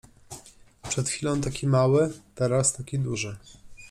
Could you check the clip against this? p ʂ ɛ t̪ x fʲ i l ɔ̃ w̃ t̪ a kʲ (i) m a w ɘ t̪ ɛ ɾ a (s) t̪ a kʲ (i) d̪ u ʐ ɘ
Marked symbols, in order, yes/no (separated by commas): yes, yes, yes